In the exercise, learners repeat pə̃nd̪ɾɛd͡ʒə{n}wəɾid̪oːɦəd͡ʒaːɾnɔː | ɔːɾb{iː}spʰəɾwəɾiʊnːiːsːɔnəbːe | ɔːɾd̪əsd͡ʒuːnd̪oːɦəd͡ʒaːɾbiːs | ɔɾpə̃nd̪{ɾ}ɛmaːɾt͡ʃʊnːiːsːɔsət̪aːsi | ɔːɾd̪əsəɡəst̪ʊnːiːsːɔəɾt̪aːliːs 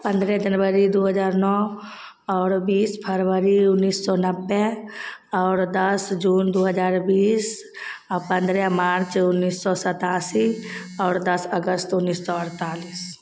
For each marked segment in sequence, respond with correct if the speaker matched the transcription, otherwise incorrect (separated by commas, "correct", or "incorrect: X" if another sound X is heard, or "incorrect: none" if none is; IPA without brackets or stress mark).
correct, correct, correct